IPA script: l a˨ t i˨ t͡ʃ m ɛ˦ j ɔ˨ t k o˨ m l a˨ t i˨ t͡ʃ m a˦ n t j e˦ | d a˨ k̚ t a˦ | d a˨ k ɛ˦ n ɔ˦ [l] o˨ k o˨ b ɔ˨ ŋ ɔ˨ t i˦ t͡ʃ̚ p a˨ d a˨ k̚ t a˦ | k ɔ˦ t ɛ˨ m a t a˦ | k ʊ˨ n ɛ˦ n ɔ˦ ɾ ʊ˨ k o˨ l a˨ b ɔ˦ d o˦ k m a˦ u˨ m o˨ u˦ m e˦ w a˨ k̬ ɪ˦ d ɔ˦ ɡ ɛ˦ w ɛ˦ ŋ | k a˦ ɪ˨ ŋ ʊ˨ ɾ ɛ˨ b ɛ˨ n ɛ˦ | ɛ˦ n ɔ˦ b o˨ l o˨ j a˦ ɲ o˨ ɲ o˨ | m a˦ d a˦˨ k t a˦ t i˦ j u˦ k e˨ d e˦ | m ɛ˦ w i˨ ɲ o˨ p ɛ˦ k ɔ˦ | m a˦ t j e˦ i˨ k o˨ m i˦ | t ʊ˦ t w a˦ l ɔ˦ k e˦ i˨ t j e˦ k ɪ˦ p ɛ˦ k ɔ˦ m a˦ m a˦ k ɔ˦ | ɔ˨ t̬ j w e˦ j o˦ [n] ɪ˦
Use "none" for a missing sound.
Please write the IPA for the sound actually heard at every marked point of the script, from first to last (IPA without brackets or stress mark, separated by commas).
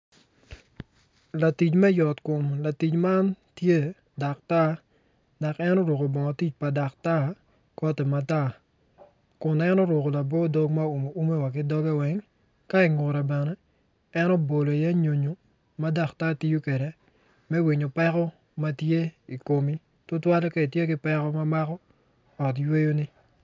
ɾ, n